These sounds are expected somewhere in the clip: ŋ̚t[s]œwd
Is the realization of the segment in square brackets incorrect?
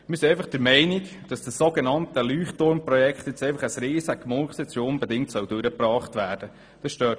no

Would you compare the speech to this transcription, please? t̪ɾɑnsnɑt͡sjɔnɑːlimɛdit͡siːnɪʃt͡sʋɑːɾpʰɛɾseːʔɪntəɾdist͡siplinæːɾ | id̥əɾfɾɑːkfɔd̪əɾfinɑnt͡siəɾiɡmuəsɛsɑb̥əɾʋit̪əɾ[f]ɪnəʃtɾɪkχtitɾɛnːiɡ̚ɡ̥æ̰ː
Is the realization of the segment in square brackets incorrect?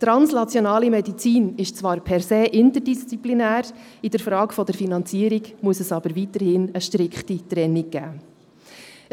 yes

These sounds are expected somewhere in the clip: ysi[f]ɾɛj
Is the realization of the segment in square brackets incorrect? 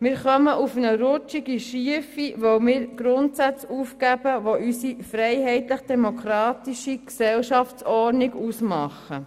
no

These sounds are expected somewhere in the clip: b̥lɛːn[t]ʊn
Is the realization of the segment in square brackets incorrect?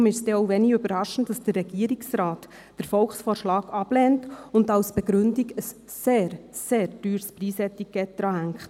no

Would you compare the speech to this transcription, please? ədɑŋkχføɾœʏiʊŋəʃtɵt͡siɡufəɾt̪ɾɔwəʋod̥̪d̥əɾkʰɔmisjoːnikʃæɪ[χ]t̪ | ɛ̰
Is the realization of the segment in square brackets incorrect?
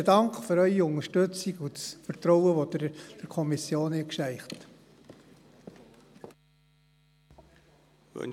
no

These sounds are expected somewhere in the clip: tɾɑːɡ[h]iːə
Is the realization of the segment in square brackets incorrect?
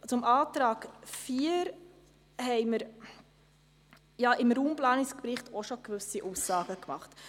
yes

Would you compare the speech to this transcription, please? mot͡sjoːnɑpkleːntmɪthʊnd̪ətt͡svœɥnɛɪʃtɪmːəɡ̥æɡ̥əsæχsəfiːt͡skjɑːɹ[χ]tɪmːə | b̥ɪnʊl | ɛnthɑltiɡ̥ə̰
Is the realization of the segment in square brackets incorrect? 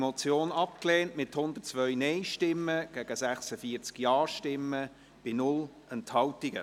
yes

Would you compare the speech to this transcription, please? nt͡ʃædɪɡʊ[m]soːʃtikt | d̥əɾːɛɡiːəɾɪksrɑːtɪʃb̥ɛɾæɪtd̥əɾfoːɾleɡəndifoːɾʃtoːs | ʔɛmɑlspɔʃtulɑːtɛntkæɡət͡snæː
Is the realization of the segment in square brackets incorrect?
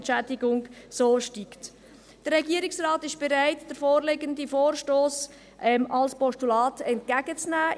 yes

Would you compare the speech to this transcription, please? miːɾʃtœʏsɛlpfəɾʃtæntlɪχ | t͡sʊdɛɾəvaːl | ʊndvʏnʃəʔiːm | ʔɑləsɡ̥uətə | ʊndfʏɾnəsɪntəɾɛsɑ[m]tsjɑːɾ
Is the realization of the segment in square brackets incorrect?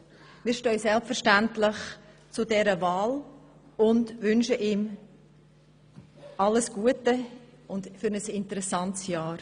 yes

